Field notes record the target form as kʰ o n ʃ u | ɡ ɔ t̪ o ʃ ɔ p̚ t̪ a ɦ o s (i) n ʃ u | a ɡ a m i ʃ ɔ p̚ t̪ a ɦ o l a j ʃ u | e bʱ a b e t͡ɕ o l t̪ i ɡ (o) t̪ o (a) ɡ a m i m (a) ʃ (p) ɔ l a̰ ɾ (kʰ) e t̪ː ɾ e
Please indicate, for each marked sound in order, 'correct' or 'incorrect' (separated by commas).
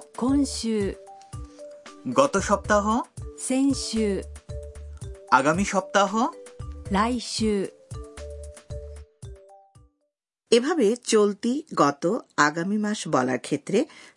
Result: incorrect, incorrect, correct, correct, incorrect, correct